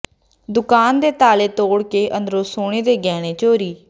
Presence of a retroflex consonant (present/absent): present